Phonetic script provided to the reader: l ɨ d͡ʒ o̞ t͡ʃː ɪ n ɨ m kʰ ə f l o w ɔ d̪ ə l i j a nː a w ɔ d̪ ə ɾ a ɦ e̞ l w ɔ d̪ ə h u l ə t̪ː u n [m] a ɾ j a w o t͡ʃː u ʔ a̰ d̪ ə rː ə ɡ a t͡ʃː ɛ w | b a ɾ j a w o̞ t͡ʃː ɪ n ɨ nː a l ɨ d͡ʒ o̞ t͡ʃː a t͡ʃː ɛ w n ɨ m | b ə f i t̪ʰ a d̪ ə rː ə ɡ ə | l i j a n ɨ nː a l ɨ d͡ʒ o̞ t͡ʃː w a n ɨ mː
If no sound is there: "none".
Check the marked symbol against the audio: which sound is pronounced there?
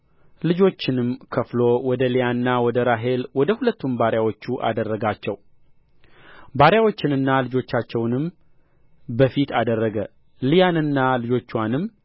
b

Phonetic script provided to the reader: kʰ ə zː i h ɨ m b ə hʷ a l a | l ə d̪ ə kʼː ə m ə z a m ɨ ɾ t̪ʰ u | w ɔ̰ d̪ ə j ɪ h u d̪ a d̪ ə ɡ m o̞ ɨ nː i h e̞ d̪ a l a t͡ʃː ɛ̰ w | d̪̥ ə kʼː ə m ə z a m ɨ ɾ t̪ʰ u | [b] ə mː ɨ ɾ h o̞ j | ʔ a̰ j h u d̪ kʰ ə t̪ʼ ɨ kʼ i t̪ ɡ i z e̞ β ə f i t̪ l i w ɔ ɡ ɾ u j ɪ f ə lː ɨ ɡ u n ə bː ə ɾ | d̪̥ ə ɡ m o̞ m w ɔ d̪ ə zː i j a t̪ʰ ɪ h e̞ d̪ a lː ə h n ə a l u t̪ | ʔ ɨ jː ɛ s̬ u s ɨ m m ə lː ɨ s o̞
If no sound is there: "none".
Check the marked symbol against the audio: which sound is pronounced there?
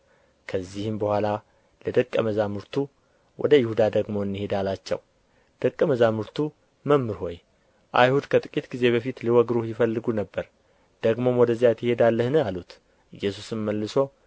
m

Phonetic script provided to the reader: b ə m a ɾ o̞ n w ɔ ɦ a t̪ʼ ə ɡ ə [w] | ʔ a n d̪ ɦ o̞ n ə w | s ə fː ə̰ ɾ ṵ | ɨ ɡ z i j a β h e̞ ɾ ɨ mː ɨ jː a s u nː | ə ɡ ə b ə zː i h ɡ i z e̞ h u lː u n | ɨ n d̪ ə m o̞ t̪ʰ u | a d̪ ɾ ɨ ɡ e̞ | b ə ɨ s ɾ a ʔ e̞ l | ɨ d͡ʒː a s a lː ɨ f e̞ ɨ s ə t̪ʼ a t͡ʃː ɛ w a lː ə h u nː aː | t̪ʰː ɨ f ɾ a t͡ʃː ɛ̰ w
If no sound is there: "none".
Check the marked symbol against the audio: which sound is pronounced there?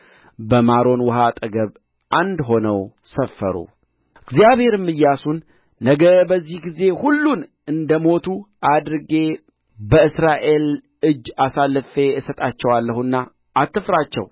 β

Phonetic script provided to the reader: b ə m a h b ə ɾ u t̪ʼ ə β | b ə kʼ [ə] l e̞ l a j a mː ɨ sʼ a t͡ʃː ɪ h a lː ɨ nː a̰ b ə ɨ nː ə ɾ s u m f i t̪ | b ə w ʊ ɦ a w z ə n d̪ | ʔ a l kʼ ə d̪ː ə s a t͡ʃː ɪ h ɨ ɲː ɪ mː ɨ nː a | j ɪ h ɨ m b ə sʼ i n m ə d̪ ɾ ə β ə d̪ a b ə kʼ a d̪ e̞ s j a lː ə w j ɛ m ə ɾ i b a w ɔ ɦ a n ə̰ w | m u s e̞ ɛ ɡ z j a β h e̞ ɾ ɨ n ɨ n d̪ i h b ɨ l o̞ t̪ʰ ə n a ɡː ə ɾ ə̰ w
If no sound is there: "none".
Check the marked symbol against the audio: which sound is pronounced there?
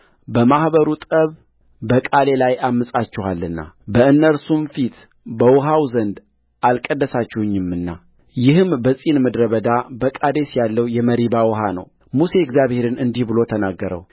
a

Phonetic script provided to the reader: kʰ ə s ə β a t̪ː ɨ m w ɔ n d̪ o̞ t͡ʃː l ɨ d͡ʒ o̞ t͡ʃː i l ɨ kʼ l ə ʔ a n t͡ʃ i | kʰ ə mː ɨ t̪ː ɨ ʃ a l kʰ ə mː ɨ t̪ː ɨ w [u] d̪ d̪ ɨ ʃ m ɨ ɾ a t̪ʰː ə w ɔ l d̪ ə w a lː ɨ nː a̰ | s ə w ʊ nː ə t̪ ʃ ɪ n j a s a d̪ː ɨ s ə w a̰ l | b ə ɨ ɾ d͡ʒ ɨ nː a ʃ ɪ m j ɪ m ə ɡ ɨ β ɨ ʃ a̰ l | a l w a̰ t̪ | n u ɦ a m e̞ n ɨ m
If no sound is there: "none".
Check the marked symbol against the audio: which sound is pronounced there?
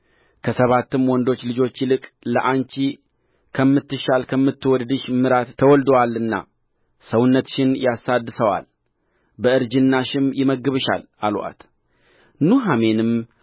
ɔ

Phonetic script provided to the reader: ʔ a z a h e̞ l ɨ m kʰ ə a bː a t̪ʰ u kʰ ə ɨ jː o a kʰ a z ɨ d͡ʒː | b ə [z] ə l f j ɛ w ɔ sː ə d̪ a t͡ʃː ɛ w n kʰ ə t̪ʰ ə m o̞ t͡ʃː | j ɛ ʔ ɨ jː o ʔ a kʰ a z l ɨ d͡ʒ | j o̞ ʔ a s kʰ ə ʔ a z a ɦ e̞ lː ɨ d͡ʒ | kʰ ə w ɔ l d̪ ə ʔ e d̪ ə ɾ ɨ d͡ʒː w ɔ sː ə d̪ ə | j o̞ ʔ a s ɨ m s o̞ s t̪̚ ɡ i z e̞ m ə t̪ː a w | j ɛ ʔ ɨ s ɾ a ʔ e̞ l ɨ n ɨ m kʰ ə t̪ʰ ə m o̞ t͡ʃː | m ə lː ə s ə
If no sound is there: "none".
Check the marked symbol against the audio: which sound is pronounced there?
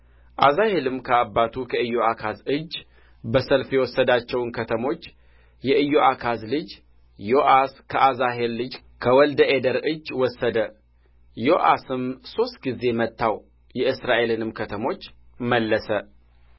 s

